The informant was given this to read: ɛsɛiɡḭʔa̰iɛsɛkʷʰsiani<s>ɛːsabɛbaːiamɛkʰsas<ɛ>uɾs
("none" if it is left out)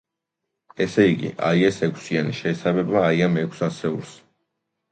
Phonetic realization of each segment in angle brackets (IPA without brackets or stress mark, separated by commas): ʃ, ɛ